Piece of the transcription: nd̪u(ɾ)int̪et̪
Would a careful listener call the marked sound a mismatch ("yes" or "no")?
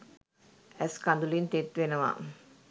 yes